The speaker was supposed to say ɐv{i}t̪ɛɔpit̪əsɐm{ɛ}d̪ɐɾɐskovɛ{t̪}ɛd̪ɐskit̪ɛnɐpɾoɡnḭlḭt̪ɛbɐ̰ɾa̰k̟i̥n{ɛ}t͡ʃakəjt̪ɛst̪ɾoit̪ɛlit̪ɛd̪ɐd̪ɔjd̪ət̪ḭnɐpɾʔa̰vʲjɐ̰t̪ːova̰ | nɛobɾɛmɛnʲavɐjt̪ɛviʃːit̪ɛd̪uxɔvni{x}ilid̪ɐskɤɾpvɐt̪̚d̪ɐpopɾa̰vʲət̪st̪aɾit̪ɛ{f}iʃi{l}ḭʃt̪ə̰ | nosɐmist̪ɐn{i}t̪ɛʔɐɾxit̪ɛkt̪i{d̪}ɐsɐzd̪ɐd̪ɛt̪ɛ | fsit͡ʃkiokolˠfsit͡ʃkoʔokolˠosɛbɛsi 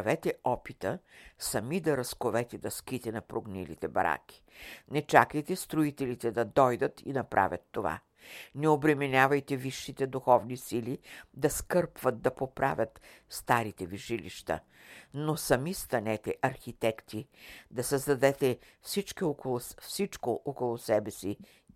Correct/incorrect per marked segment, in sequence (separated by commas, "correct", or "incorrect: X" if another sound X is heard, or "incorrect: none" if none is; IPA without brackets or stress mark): incorrect: ɛ, incorrect: i, correct, correct, incorrect: s, incorrect: v, correct, incorrect: ɛ, correct